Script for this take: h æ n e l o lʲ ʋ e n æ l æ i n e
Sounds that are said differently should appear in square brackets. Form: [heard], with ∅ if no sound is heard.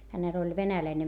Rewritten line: h æ n e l o lʲ ʋ e n æ l æ i n e